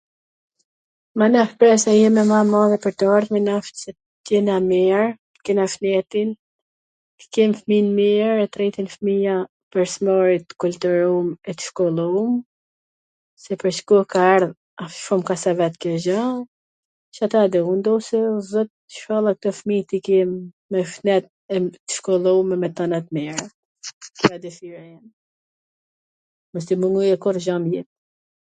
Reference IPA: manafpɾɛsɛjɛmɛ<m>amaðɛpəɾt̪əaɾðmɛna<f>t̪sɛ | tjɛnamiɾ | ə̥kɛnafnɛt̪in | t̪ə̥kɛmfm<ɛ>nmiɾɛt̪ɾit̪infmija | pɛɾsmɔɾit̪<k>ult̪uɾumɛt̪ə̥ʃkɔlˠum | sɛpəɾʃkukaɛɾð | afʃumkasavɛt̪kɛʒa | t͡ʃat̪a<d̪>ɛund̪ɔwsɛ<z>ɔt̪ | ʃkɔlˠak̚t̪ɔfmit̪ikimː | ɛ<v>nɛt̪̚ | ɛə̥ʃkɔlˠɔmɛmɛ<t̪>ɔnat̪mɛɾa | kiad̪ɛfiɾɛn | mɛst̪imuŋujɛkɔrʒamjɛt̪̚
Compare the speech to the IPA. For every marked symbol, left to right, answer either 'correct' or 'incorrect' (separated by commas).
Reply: correct, correct, incorrect, correct, correct, correct, incorrect, correct